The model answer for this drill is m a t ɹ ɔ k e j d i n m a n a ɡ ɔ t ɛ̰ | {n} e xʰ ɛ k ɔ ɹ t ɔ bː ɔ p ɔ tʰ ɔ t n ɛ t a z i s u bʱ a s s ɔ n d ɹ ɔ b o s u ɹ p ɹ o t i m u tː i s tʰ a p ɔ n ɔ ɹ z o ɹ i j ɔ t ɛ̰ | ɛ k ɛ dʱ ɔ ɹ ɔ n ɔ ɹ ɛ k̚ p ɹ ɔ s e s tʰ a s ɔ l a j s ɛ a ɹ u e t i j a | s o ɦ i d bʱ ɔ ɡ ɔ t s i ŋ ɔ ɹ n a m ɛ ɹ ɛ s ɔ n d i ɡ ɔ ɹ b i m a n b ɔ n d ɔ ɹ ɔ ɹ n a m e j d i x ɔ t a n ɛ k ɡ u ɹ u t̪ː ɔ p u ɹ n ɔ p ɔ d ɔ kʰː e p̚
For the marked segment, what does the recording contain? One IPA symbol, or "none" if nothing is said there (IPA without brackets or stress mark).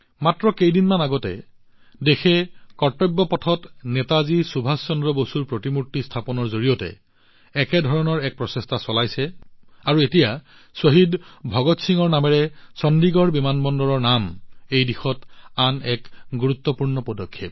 d